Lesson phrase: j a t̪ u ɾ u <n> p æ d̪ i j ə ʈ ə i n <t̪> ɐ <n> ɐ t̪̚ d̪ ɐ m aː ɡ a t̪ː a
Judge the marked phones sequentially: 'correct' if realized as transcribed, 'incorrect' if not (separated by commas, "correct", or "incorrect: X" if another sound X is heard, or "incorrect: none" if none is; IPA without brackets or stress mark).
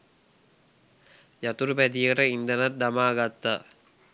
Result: incorrect: none, incorrect: d̪, correct